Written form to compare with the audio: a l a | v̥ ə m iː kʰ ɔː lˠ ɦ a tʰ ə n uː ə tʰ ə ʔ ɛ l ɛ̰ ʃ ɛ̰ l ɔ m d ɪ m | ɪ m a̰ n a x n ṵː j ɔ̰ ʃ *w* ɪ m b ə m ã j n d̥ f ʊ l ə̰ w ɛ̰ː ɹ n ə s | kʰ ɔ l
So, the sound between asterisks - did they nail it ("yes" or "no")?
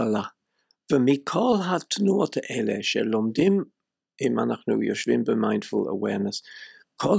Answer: no